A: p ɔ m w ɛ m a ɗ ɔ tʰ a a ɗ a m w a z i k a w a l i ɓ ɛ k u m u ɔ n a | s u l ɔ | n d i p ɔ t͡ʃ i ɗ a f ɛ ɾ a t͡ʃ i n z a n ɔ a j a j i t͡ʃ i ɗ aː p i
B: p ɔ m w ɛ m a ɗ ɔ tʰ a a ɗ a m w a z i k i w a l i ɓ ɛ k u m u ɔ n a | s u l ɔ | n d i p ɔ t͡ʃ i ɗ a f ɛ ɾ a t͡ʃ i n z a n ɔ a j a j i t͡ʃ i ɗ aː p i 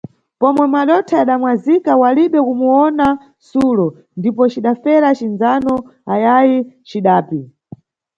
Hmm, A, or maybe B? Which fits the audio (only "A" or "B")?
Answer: A